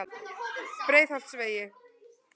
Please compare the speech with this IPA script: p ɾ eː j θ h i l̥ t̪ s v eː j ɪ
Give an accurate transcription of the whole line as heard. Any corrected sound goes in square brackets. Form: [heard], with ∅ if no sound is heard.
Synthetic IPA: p ɾ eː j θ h [a] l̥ t̪ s v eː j ɪ